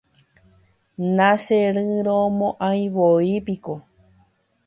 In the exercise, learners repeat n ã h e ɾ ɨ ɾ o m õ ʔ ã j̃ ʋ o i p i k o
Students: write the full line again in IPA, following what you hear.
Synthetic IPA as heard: n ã ʃ e ɾ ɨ ɾ o m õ ʔ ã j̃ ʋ o i p i k o